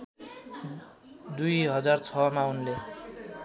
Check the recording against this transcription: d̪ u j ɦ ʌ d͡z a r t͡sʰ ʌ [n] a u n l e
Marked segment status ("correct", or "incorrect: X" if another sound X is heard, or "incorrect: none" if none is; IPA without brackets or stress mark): incorrect: m